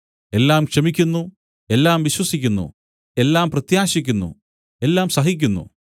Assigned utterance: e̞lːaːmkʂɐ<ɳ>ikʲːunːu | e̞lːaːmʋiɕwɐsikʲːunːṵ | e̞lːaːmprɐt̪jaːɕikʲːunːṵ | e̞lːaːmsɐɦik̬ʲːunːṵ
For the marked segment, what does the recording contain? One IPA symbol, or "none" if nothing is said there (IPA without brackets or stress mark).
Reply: m